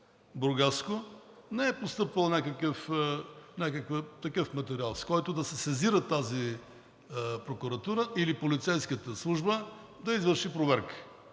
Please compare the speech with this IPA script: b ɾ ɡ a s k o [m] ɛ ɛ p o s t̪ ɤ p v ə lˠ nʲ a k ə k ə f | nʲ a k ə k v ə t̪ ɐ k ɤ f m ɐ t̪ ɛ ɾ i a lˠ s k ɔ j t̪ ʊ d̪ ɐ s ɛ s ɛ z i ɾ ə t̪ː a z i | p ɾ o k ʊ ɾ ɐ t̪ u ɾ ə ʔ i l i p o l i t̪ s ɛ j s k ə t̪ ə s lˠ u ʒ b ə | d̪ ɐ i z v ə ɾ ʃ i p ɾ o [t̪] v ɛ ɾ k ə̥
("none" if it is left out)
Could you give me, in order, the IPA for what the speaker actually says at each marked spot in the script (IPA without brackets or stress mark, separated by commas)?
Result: n, none